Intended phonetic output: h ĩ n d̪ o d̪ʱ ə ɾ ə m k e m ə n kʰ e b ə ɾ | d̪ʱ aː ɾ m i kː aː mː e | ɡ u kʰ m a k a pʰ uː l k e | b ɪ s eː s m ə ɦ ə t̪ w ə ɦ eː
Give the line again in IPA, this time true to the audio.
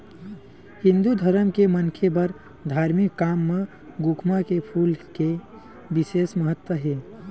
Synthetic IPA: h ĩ n d̪ u d̪ʱ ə ɾ ə m k e m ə n kʰ e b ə ɾ | d̪ʱ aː ɾ m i kː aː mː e | ɡ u kʰ m a k e pʰ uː l k e | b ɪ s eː s m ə ɦ ə t̪ w ə ɦ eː